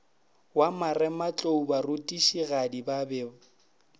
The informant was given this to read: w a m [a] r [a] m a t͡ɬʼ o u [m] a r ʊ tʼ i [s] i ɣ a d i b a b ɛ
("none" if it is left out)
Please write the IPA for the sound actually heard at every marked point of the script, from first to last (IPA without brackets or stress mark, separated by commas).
a, ɛ, b, ʃ